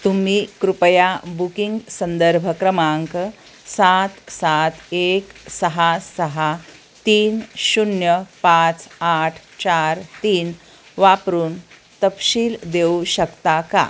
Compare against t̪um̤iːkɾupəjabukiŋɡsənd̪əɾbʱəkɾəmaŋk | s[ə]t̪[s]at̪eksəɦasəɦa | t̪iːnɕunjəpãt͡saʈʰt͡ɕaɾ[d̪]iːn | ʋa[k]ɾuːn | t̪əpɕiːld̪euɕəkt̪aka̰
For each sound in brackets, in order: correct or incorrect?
incorrect, correct, incorrect, incorrect

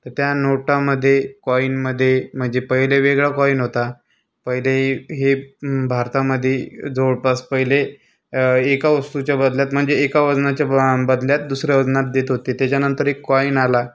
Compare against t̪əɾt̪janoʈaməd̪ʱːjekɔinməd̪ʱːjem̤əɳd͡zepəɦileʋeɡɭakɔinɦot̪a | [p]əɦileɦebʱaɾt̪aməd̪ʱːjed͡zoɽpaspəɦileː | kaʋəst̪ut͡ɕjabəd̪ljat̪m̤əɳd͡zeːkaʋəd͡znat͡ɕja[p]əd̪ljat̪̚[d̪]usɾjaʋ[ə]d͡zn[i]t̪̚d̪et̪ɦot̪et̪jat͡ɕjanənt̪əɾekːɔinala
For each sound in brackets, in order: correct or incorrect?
correct, incorrect, correct, correct, incorrect

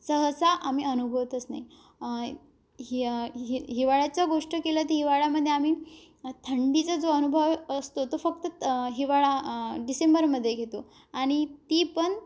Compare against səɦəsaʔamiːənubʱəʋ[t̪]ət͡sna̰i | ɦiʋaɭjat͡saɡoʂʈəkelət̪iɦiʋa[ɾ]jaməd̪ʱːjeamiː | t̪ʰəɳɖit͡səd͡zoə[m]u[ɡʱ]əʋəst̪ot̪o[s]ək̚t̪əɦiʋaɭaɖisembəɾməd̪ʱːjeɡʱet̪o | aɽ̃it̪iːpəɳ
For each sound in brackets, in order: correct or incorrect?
correct, incorrect, incorrect, incorrect, incorrect

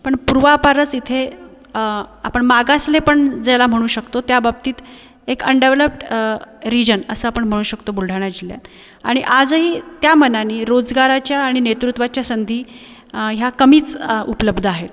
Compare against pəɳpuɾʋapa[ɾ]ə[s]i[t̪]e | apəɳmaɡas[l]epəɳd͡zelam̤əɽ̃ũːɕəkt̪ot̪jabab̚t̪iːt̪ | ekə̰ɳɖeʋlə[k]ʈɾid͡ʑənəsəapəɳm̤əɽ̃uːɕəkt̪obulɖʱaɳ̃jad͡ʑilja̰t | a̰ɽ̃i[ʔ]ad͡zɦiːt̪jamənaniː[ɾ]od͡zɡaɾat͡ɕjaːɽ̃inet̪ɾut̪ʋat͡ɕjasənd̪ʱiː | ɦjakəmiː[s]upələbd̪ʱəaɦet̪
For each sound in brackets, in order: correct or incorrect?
correct, incorrect, incorrect, correct, incorrect, correct, correct, incorrect

